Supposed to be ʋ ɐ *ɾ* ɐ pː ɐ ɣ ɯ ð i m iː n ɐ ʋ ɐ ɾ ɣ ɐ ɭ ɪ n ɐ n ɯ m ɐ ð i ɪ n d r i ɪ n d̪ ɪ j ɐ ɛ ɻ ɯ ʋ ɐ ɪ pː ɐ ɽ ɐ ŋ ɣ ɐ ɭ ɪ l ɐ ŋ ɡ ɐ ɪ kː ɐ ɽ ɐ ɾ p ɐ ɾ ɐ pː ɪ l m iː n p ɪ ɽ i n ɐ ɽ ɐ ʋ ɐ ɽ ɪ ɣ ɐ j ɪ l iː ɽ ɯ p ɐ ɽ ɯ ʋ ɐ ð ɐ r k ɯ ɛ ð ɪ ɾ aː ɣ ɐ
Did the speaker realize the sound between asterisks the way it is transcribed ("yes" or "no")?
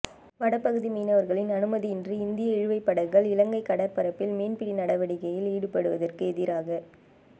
no